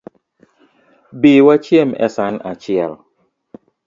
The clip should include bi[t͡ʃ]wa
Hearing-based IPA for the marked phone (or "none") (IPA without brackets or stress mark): none